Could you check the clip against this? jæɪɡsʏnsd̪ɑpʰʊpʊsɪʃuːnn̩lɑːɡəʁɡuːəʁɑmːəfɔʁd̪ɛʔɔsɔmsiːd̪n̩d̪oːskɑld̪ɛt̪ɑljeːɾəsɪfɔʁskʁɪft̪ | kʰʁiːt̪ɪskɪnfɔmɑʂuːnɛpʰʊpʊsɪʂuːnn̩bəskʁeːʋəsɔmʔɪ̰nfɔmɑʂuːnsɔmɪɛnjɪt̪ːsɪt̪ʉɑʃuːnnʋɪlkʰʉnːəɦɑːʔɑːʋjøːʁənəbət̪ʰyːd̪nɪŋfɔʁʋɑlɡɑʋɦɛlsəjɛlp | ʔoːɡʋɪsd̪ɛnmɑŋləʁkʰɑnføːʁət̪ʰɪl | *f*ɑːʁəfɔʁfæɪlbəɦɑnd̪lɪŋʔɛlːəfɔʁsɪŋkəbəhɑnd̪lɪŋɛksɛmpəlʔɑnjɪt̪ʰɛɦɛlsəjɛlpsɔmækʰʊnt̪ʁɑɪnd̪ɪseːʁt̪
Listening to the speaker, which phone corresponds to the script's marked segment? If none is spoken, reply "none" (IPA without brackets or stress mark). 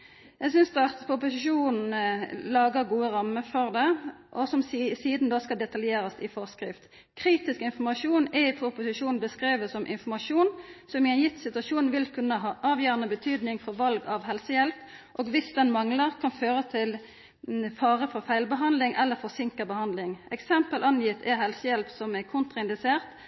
f